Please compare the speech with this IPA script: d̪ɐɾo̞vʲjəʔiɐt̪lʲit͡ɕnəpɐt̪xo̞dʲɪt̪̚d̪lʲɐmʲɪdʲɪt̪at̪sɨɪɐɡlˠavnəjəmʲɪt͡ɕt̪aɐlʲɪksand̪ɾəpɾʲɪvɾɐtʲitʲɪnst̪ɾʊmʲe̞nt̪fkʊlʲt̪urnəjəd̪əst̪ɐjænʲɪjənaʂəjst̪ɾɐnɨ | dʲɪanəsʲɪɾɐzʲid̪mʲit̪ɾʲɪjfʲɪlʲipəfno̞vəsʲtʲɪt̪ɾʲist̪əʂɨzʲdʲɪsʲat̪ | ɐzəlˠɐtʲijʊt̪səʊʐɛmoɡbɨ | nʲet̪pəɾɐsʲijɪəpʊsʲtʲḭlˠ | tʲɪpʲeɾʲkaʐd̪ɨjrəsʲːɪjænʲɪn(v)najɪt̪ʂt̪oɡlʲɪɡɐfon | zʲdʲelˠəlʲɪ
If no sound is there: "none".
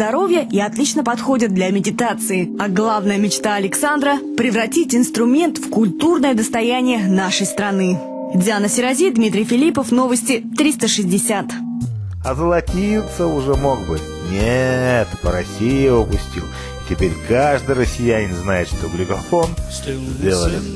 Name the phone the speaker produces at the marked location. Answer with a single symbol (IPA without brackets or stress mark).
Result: z